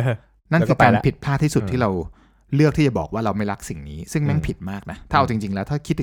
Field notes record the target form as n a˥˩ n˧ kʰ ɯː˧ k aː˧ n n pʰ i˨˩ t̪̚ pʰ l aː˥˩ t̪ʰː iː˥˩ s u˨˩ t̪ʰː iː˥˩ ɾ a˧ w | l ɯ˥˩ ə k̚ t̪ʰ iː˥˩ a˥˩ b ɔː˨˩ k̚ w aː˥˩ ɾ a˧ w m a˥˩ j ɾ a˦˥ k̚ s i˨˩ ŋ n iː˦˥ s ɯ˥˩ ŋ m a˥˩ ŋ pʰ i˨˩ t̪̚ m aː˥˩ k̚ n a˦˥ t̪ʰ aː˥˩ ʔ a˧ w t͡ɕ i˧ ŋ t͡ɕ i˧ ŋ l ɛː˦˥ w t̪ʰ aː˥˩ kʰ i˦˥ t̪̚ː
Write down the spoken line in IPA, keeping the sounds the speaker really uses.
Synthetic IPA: n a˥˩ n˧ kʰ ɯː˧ k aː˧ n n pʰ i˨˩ t̪̚ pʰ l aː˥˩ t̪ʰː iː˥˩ s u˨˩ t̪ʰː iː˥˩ ɾ a˧ w | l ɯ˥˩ ə k̚ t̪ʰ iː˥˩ a˨˩ b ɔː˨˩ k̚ w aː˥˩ ɾ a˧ w m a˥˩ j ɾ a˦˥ k̚ s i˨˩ ŋ n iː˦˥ s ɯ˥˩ ŋ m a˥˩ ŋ pʰ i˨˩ t̪̚ m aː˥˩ k̚ n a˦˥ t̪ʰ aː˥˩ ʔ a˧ w t͡ɕ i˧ ŋ t͡ɕ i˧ ŋ l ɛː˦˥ w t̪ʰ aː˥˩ kʰ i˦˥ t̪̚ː